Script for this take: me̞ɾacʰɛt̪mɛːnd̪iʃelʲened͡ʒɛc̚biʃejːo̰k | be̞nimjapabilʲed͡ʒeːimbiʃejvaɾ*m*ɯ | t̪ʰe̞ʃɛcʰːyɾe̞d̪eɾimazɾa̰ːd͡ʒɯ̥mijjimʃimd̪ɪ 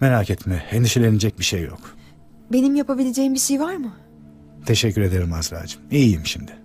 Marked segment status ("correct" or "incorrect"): correct